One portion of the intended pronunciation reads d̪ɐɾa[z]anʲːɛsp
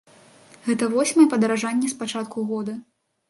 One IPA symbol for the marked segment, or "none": ʐ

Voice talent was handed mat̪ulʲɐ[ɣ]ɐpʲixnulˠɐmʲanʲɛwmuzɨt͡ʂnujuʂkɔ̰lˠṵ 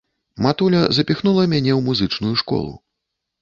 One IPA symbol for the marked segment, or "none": z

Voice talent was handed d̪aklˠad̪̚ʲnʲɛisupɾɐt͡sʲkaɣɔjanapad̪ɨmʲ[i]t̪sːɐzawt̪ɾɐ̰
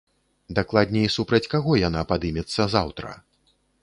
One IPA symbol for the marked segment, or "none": ɛ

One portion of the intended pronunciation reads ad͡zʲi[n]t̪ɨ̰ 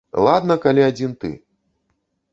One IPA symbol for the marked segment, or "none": n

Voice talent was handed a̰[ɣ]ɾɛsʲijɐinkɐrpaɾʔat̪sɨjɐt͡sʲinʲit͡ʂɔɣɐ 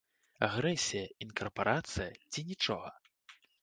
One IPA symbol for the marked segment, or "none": ɣ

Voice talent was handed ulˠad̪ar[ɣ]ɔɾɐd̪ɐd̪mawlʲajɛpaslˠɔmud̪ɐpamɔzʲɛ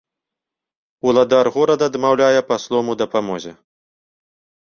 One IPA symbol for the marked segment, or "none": ɣ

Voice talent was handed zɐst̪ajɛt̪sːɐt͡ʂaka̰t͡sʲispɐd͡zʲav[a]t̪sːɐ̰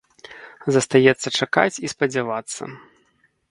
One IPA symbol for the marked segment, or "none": a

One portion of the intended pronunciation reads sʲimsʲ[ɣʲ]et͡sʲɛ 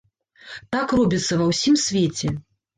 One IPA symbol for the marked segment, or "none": vʲ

